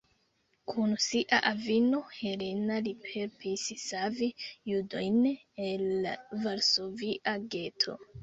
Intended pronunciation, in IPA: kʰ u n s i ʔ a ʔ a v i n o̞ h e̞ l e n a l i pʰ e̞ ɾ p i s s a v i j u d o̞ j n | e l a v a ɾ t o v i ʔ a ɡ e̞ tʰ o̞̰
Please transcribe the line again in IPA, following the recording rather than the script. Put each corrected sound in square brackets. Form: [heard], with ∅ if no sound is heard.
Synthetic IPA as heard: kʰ u n s i ʔ a ʔ a v i n o̞ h e̞ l e n a l i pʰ e̞ ɾ p i s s a v i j u d o̞ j n | e l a v a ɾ [s] o v i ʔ a ɡ e̞ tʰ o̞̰